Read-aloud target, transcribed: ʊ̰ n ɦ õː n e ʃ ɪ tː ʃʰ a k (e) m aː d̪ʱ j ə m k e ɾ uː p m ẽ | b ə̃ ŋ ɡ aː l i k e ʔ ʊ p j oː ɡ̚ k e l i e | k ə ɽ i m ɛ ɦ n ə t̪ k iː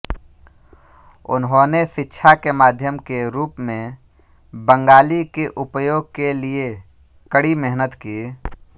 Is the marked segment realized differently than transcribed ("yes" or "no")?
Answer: no